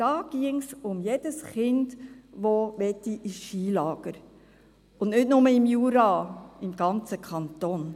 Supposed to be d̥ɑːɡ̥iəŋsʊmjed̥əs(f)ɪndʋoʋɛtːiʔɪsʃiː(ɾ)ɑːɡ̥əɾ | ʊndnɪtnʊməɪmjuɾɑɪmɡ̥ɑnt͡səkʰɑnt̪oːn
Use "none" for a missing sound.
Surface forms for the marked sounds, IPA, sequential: χ, l

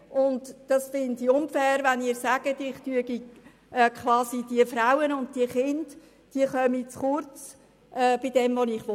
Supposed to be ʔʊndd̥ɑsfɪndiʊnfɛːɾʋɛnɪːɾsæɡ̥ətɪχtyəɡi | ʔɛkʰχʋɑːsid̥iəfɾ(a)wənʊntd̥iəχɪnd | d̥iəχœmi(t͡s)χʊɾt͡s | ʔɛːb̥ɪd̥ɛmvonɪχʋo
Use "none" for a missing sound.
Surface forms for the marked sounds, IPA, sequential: a, t͡s

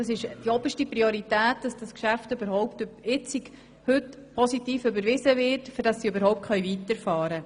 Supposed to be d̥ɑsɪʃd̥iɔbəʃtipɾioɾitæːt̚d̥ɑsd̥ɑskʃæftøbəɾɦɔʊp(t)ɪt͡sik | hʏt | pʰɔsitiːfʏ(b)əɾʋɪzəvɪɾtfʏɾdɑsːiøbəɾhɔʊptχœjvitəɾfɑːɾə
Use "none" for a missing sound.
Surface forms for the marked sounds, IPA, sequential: t, b

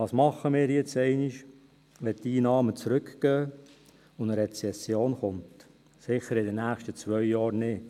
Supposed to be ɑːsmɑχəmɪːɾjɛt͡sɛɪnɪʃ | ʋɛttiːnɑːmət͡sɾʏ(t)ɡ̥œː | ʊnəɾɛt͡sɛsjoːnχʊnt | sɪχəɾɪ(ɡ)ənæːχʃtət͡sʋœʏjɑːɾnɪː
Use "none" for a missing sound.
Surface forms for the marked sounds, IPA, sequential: k, d

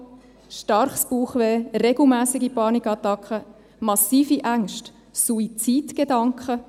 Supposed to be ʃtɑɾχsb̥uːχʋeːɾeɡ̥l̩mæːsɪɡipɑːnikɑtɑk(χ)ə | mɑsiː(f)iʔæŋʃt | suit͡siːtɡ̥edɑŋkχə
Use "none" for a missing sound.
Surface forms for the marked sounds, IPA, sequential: χ, f

